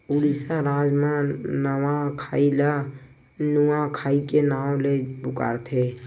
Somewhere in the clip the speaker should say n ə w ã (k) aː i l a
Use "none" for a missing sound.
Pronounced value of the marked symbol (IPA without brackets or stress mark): kʰ